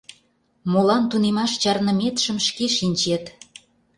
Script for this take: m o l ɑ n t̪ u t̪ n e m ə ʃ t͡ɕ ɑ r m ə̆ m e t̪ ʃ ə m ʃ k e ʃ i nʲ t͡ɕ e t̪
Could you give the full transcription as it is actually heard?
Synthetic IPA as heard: m o l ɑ n t̪ u n e m ɑ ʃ t͡ɕ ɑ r n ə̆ m e t̪ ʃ ə m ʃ k e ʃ i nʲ t͡ɕ e t̪